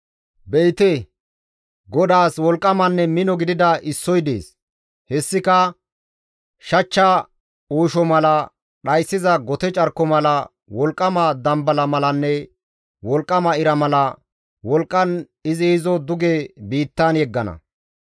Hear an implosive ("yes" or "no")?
yes